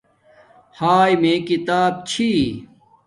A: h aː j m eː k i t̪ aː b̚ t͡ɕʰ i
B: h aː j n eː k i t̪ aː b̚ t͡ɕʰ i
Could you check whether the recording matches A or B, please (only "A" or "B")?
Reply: A